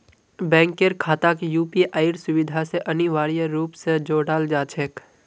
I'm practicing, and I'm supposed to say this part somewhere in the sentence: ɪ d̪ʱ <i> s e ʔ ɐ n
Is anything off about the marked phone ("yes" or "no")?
yes